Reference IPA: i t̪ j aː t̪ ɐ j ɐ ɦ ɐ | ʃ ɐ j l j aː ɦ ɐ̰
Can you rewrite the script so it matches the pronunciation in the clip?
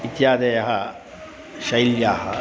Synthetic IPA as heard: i t̪ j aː d̪ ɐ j ɐ ɦ ɐ | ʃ ɐ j l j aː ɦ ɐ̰